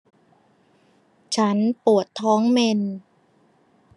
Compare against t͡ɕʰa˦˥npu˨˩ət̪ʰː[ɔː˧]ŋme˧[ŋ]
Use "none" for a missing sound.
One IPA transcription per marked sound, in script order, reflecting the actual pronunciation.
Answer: ɔː˦˥, n

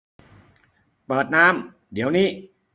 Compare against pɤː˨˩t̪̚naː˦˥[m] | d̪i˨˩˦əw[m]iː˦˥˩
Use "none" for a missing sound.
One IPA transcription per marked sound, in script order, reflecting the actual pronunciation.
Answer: m, n

